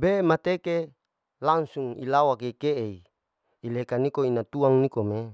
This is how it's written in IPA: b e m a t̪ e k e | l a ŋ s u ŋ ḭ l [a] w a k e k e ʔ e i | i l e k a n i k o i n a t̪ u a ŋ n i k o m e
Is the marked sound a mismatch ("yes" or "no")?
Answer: no